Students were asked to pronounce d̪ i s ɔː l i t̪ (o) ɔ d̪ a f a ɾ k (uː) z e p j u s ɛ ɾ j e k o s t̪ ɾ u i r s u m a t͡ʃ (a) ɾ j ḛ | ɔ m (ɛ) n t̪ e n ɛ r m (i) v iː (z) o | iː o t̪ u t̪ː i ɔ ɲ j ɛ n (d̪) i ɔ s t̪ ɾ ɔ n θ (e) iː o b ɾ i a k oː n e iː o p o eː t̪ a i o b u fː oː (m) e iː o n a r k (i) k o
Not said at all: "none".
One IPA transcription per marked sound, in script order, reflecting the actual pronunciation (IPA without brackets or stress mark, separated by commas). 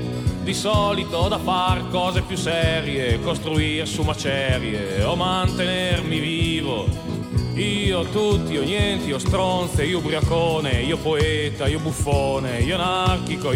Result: o, ɔː, ɛ, a, i, v, t̪, e, n, i